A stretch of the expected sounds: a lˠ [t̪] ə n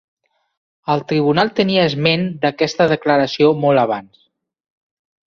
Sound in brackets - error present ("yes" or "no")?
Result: no